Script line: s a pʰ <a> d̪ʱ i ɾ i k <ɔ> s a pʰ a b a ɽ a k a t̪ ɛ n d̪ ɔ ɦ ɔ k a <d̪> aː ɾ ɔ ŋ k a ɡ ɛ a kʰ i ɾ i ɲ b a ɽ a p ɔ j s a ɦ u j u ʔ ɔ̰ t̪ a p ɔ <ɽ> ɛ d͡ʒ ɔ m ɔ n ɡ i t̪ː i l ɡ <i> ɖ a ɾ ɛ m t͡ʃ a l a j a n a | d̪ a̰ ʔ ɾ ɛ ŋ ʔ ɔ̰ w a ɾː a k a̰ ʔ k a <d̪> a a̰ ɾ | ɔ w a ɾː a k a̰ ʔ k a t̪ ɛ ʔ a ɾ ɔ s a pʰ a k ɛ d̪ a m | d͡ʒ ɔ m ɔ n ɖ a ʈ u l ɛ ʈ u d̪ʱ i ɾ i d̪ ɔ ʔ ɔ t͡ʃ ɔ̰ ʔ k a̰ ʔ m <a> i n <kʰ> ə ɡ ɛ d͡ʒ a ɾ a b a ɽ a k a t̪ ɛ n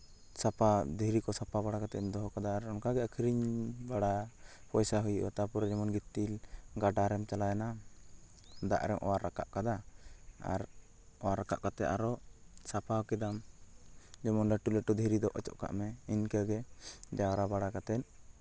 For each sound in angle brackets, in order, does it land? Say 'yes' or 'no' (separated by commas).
yes, yes, yes, no, no, yes, no, no